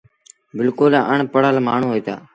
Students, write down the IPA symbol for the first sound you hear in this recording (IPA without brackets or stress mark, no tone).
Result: b